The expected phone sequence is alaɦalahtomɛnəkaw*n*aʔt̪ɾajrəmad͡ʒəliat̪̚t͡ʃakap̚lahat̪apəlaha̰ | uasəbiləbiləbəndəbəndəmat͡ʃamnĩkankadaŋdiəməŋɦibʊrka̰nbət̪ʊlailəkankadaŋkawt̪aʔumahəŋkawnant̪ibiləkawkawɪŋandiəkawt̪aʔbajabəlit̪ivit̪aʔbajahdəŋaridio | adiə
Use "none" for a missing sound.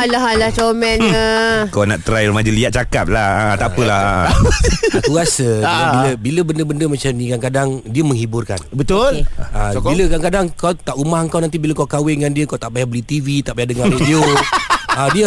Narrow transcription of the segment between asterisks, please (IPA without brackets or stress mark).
n